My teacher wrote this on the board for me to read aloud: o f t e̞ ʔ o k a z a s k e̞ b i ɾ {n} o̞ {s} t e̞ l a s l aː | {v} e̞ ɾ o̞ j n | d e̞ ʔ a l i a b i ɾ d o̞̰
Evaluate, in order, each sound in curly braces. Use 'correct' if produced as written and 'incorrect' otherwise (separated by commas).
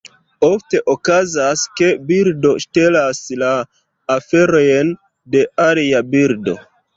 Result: incorrect, incorrect, incorrect